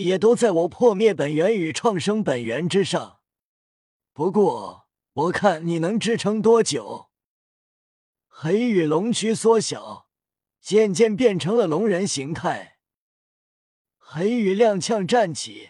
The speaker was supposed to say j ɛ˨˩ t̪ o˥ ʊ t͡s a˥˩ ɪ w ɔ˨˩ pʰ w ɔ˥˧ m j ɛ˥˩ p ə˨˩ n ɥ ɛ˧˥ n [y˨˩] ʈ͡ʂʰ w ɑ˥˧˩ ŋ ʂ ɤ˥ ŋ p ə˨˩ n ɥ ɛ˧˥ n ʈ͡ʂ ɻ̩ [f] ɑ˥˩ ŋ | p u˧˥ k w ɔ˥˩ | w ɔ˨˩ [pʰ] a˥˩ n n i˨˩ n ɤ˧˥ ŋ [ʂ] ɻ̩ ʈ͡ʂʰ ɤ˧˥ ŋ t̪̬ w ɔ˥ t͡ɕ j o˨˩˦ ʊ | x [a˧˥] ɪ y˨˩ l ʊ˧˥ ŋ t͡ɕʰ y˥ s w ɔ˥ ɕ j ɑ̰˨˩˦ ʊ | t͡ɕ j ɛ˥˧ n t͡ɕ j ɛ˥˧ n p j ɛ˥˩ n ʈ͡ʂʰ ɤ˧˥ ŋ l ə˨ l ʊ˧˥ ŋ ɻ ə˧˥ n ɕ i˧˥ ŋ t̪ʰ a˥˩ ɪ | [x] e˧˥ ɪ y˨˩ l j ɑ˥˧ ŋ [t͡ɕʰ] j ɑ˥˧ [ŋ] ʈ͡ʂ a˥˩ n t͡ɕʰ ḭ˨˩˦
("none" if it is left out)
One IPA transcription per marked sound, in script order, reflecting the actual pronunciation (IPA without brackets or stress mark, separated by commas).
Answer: y˨˩, ʂ, kʰ, ʈ͡ʂ, e˧˥, x, t͡ɕʰ, ŋ